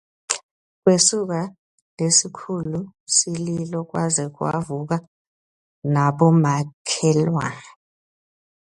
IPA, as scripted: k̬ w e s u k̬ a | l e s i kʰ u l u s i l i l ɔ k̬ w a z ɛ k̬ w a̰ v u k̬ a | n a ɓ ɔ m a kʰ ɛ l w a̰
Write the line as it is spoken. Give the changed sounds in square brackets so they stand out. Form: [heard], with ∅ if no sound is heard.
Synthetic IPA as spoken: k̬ w e s u k̬ a | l e s i kʰ u l u s i l i l ɔ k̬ w a z ɛ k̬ w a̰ v u k̬ a | n a ɓ ɔ m a kʰ ɛ l w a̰

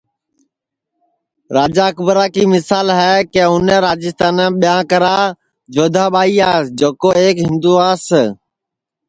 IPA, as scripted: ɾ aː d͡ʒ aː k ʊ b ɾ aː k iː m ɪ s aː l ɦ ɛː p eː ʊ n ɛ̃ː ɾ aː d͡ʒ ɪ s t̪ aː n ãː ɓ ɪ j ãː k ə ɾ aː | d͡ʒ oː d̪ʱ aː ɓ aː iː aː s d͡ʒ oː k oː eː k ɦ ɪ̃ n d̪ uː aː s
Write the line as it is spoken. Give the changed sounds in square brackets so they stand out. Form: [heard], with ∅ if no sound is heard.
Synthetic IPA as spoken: ɾ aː d͡ʒ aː k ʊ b ɾ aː k iː m ɪ s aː l ɦ ɛː [k] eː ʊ n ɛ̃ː ɾ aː d͡ʒ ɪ s t̪ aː n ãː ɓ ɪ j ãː k ə ɾ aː | d͡ʒ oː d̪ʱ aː ɓ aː iː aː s d͡ʒ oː k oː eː k ɦ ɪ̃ n d̪ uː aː s

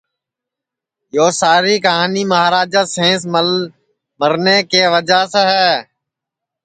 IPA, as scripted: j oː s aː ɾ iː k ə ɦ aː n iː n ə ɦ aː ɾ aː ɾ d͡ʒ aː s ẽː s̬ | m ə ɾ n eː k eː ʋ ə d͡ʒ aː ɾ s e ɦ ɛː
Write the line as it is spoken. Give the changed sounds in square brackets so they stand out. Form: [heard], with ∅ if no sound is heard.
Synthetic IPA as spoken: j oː s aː ɾ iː k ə ɦ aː n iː [m] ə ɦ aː ɾ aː [∅] d͡ʒ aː s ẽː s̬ | m ə ɾ n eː k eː ʋ ə d͡ʒ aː [∅] s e ɦ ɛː

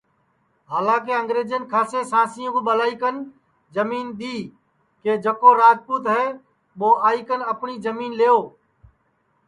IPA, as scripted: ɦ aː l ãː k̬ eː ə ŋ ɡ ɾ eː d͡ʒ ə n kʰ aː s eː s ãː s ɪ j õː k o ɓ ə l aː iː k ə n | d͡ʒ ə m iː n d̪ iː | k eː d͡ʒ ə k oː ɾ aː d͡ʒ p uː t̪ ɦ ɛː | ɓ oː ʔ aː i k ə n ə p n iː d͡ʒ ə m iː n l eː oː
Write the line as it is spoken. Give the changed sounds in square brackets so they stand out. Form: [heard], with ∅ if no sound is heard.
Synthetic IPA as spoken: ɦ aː l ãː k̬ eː ə ŋ ɡ ɾ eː d͡ʒ ə n kʰ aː s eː s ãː s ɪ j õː k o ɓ ə l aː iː k ə n | d͡ʒ ə m iː n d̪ iː | k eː d͡ʒ ə k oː ɾ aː d͡ʒ p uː t̪ ɦ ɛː | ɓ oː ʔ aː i k ə n ə p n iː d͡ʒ ə m iː n l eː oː

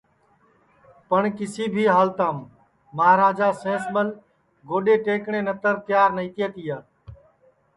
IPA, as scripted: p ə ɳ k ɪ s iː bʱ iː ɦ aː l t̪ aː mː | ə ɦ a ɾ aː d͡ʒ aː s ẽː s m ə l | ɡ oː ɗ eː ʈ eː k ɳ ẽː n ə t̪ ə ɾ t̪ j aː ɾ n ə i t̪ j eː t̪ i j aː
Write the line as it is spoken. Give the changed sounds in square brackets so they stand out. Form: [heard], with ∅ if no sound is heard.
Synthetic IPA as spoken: p ə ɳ k ɪ s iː bʱ iː ɦ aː l t̪ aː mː | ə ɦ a ɾ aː d͡ʒ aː s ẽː s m ə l | ɡ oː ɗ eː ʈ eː k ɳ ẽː n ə t̪ ə ɾ t̪ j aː ɾ n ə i t̪ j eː t̪ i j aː

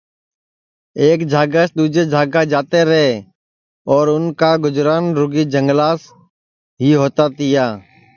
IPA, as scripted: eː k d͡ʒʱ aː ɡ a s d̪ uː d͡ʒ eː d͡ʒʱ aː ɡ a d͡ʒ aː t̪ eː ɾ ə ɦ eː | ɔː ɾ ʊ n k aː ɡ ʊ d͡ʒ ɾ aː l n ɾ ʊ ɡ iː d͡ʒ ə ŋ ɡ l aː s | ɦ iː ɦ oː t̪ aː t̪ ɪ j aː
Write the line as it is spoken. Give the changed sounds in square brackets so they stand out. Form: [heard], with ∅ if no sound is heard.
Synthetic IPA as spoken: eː k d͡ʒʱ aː ɡ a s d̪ uː d͡ʒ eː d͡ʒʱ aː ɡ a d͡ʒ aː t̪ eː ɾ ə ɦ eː | ɔː ɾ ʊ n k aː ɡ ʊ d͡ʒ ɾ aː [∅] n ɾ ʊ ɡ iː d͡ʒ ə ŋ ɡ l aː s | ɦ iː ɦ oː t̪ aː t̪ ɪ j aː

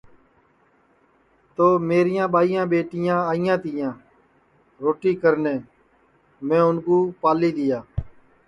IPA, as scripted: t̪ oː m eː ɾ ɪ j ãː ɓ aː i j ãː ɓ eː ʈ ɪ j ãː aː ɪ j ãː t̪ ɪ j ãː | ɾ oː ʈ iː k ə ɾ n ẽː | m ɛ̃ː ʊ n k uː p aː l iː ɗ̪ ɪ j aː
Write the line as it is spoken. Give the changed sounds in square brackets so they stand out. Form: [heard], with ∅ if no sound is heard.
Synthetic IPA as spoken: t̪ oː m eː ɾ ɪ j ãː ɓ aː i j ãː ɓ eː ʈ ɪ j ãː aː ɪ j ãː t̪ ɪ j ãː | ɾ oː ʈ iː k ə ɾ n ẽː | m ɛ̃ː ʊ n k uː p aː l iː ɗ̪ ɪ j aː

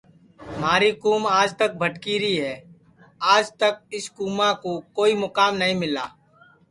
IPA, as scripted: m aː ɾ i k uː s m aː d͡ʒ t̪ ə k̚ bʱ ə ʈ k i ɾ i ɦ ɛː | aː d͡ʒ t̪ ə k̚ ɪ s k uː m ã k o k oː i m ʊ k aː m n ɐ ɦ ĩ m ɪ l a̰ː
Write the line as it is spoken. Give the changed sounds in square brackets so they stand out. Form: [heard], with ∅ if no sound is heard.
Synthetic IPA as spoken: m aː ɾ i k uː [∅] m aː d͡ʒ t̪ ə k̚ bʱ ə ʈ k i ɾ i ɦ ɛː | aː d͡ʒ t̪ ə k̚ ɪ s k uː m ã k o k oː i m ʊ k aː m n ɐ ɦ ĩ m ɪ l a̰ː

